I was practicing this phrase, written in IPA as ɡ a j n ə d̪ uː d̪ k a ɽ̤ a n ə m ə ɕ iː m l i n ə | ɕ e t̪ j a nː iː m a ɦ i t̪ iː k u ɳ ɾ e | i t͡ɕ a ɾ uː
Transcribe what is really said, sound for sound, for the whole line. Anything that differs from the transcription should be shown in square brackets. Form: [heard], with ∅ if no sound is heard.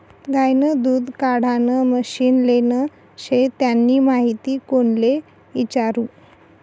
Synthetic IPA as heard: ɡ a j n ə d̪ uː d̪ k a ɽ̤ a n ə m ə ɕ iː [n] l [e] n ə | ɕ e t̪ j a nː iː m a ɦ i t̪ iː k [o] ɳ [l] e | i t͡ɕ a ɾ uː